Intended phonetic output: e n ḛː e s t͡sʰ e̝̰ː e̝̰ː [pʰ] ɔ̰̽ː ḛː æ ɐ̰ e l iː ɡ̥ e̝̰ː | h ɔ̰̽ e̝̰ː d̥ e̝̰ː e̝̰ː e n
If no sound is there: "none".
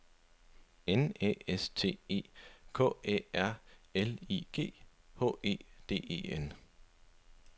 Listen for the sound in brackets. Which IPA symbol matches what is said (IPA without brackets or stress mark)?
kʰ